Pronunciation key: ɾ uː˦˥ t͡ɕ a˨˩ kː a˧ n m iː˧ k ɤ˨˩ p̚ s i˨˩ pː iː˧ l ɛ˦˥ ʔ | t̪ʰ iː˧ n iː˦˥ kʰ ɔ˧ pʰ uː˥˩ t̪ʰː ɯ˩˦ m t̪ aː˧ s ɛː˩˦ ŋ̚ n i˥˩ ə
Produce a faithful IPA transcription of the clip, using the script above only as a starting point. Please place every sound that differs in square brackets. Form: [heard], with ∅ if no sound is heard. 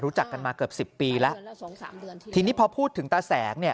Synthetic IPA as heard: ɾ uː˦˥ t͡ɕ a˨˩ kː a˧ n m [aː˧] k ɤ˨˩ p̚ s i˨˩ pː iː˧ l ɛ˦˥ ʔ | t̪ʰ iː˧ n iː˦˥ [pʰ] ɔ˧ pʰ uː˥˩ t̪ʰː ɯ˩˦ [ŋ] t̪ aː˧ s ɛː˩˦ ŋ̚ n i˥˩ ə